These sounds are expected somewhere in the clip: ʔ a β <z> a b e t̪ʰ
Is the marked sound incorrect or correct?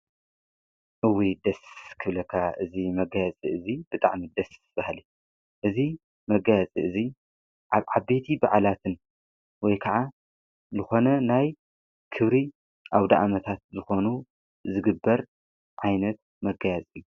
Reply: incorrect